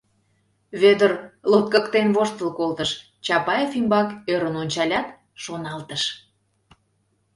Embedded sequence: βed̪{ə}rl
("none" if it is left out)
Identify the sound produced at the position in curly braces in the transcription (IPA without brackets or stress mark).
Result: ə